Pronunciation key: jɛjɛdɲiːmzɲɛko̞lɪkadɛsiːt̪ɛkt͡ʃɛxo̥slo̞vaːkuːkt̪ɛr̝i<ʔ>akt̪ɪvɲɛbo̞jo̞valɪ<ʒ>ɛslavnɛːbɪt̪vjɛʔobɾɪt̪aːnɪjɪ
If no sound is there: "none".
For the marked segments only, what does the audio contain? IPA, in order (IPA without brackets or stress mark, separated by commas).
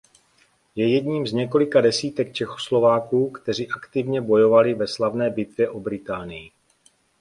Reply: ʔ, v